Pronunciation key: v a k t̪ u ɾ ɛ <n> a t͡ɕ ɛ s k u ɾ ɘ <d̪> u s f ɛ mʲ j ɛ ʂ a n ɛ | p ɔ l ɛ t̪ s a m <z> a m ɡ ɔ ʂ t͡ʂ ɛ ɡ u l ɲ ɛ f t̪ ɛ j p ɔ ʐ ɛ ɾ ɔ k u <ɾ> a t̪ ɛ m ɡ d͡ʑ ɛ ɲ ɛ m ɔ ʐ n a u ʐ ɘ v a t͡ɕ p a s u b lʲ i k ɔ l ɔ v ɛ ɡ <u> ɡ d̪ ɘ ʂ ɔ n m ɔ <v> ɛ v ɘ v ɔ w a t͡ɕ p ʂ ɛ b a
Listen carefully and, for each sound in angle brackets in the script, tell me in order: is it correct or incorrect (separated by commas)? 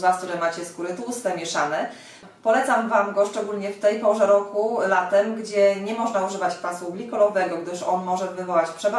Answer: incorrect, incorrect, incorrect, incorrect, incorrect, incorrect